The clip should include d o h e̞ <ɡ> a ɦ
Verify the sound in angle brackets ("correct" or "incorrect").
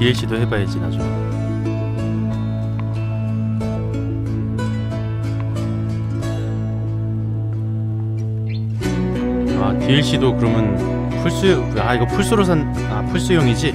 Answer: incorrect